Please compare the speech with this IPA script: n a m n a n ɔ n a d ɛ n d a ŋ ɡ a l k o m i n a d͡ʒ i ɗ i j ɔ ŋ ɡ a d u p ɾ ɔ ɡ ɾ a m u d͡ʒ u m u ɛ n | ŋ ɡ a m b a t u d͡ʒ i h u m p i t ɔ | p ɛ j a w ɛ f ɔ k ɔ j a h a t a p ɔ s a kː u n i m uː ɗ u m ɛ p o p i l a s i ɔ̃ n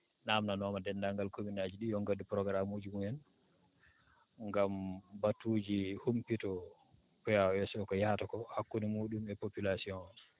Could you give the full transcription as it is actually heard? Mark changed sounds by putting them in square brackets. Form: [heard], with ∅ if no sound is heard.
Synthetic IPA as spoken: n a m n a n ɔ [m] a d ɛ n d a ŋ ɡ a l k o m i n a d͡ʒ i ɗ i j ɔ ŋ ɡ a d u p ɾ ɔ ɡ ɾ a m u d͡ʒ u m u ɛ n | ŋ ɡ a m b a t u d͡ʒ i h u m p i t ɔ | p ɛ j a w ɛ [s] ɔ k ɔ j a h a t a [k] ɔ [h] a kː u n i m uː ɗ u m ɛ p o p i l a s i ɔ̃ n